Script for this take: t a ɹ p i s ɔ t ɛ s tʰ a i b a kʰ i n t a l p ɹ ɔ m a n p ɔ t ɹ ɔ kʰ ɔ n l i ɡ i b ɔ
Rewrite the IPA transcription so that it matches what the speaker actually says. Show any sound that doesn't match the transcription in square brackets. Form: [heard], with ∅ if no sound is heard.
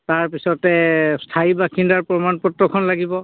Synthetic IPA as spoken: t a ɹ p i s ɔ t ɛ s tʰ a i b a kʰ i n [d] a [ɹ] p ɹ ɔ m a n p ɔ t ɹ ɔ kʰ ɔ n l [a] ɡ i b ɔ